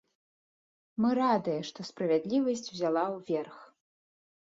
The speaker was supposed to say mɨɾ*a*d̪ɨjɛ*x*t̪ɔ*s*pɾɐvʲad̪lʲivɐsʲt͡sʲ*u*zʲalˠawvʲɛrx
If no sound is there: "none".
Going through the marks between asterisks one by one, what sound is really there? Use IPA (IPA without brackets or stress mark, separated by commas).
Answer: a, ʂ, s, w